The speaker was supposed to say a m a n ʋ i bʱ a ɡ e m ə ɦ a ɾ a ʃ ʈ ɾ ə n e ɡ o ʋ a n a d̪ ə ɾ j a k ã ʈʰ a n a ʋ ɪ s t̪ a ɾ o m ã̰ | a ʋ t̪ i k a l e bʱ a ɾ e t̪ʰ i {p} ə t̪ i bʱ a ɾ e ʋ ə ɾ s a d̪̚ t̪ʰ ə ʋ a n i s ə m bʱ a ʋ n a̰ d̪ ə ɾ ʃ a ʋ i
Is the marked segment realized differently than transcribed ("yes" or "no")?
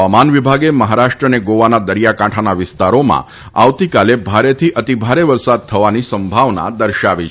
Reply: yes